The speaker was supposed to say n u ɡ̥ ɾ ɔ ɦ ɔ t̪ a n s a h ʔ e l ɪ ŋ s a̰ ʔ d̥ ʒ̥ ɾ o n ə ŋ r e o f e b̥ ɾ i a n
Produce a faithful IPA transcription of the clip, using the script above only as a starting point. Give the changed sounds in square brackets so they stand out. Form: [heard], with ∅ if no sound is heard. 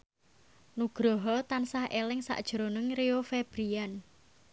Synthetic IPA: n u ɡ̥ ɾ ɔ ɦ ɔ t̪ a n s a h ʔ e l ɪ ŋ s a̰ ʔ d̥ ʒ̥ ɾ o n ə ŋ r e o f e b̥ ɾ i a n